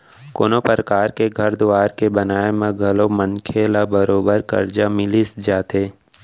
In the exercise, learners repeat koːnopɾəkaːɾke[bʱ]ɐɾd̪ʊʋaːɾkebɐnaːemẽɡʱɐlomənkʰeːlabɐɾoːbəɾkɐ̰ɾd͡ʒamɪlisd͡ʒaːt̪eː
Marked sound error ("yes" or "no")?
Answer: yes